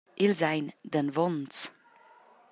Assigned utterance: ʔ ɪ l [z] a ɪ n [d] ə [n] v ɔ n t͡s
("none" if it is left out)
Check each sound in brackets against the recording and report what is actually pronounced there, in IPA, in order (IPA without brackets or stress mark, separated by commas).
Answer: z, d, n